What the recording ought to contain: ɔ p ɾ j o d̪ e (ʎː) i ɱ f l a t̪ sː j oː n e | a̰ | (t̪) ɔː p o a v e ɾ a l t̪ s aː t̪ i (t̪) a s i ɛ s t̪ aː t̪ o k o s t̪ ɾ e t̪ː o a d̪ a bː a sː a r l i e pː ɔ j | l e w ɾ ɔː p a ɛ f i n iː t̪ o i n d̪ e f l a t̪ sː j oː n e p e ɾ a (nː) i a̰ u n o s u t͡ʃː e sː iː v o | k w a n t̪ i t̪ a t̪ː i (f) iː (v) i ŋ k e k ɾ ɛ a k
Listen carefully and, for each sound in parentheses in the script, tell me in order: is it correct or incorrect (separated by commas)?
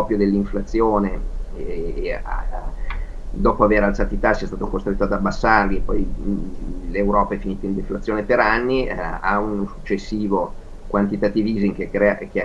incorrect, incorrect, correct, correct, incorrect, incorrect